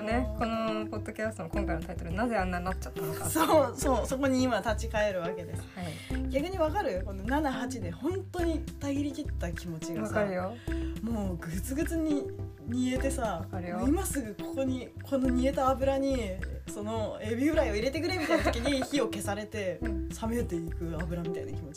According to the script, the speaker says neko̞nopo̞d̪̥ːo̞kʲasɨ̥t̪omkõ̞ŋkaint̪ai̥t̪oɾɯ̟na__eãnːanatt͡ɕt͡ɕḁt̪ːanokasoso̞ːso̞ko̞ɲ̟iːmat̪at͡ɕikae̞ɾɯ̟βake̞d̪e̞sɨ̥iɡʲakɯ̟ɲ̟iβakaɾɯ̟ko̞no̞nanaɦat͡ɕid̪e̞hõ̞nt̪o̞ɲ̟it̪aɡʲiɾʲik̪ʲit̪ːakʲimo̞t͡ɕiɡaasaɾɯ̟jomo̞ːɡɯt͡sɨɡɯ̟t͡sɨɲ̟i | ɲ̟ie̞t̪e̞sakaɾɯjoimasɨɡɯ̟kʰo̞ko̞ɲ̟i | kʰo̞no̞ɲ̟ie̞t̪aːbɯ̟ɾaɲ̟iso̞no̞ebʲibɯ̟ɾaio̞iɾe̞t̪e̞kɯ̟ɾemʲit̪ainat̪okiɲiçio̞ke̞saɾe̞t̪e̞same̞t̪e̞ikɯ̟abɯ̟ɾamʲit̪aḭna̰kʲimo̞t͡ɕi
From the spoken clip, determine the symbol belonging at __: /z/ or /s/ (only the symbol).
z